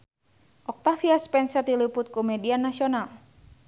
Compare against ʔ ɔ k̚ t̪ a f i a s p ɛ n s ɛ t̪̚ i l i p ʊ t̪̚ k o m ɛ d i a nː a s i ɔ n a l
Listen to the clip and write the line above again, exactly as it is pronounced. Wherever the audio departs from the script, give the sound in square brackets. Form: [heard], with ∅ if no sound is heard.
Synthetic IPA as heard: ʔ ɔ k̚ t̪ a f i a s p ɛ n s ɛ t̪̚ i l i p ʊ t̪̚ k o m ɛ d i a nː a s i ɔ n a l